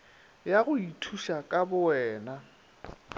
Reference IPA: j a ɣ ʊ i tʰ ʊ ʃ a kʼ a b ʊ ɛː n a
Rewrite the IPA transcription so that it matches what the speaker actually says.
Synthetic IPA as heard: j a ɣ ʊ i tʰ u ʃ a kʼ a b ʊ ɛː n a